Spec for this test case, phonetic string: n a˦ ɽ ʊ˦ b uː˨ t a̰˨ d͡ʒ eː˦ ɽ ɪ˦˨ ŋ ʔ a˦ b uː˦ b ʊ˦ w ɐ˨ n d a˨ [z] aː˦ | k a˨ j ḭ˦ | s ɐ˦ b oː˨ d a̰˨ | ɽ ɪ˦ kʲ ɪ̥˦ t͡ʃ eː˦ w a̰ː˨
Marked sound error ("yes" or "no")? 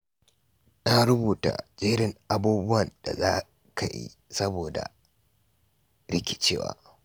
no